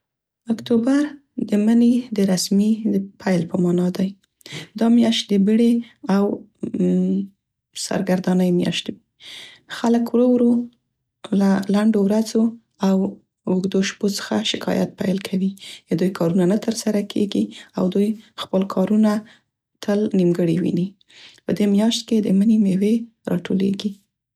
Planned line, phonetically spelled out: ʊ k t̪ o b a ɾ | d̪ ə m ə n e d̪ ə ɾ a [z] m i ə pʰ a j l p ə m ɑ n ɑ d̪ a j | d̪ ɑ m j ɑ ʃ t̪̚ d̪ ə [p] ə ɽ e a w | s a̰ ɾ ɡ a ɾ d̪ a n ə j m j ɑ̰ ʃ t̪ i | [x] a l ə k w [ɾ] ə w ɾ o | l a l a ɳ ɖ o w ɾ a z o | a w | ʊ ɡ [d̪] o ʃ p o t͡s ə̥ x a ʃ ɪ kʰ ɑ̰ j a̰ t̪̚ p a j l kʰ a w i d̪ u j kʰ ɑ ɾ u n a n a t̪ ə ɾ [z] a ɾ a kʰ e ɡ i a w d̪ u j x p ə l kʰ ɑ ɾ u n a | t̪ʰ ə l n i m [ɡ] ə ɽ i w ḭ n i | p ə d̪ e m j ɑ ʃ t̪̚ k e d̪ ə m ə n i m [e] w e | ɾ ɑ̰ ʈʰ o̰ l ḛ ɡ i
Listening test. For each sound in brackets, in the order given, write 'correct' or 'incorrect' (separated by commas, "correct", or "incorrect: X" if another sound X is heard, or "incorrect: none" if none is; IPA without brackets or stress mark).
incorrect: s, incorrect: b, correct, correct, correct, incorrect: s, correct, correct